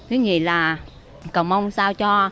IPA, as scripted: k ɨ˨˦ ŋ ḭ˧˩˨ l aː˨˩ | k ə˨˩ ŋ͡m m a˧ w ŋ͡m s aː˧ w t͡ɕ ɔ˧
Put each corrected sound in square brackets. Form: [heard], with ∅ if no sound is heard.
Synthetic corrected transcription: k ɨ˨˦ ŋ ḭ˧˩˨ l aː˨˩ | k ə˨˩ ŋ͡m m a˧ w ŋ͡m s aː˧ w t͡ɕ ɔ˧